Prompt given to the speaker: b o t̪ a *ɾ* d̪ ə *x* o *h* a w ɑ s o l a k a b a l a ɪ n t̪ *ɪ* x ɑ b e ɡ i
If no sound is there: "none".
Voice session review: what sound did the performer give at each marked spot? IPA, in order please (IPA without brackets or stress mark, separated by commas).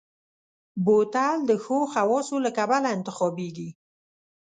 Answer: l, x, x, ɪ